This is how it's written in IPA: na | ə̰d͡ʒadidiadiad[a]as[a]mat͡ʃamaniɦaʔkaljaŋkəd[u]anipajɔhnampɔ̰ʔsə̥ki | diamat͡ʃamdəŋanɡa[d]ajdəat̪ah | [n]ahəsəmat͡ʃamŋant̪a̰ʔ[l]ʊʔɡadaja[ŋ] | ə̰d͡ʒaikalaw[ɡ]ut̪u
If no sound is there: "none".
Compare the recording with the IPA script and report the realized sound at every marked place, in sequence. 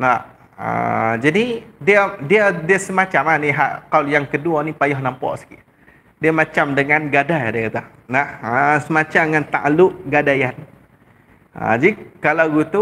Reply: i, ə, u, d, n, l, n, ɡ

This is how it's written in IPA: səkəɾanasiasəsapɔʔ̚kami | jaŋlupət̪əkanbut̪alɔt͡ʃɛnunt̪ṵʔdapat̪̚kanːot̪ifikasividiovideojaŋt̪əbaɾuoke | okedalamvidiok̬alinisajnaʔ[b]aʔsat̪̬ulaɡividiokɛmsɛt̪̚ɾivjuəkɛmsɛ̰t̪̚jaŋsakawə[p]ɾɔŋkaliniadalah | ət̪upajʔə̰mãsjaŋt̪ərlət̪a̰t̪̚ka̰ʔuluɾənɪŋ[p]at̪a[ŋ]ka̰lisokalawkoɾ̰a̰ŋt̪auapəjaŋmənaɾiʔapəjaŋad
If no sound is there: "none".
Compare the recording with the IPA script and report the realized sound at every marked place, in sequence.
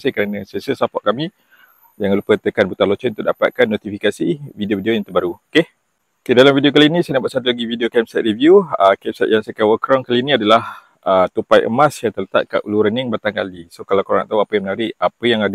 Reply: b, k, b, ŋ

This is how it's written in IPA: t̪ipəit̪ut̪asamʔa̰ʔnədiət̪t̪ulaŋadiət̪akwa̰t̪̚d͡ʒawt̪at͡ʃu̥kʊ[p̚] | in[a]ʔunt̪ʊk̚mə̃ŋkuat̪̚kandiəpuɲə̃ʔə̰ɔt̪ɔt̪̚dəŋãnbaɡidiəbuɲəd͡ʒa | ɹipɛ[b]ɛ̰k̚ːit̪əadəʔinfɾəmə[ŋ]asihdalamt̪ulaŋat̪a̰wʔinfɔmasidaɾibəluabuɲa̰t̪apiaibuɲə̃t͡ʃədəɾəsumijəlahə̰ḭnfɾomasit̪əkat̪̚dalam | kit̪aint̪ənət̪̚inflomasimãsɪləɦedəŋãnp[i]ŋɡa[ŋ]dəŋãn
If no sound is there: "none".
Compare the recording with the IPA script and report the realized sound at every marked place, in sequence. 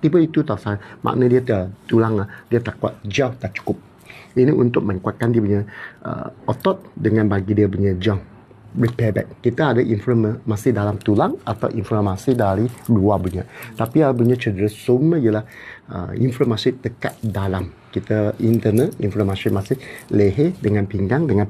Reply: p̚, i, b, m, i, ŋ

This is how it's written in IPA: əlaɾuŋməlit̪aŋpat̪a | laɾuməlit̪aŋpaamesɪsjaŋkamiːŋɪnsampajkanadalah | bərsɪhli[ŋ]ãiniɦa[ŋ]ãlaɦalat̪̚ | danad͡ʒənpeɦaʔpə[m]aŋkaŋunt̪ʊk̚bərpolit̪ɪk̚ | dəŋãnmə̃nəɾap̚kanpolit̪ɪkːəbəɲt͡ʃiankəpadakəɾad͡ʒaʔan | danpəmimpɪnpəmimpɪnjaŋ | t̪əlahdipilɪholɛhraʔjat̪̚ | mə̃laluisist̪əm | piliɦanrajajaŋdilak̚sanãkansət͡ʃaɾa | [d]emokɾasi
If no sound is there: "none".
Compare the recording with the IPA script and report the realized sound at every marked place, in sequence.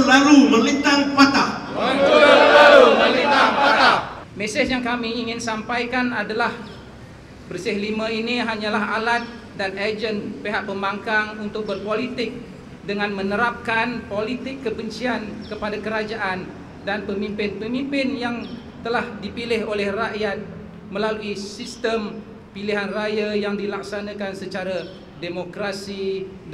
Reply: m, ɲ, m, d

